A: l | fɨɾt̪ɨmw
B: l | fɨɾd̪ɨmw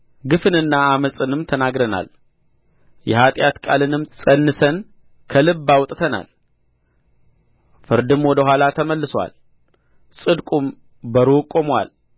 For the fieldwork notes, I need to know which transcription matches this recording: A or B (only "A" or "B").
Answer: B